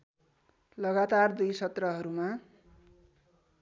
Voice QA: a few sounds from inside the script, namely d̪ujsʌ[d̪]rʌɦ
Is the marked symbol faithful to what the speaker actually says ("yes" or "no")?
no